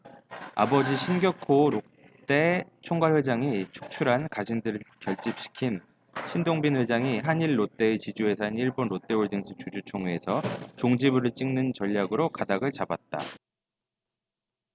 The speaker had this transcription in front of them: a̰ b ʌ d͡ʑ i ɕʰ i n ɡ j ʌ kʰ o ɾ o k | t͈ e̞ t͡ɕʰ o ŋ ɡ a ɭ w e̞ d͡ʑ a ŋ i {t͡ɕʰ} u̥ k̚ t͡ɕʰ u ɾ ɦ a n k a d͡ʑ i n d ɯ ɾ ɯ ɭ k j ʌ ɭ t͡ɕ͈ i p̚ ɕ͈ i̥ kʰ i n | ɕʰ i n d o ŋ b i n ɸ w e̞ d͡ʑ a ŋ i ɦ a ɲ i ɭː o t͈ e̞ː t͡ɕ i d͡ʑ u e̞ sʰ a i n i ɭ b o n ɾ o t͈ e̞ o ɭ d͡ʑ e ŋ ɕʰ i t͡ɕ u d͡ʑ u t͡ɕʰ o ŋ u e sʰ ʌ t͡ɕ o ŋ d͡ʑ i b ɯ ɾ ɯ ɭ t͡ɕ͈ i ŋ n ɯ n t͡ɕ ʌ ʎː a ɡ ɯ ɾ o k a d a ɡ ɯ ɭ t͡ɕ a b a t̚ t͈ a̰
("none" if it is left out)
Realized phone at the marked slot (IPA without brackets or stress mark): t͡ɕʰ